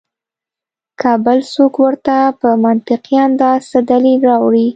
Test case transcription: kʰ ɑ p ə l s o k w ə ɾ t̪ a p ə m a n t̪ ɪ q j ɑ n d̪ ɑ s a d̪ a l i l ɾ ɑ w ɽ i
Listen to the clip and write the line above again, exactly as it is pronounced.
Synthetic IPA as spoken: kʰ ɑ b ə l s o k w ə ɾ t̪ a p ə m a n t̪ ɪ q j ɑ n d̪ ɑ s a d̪ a l i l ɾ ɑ w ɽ i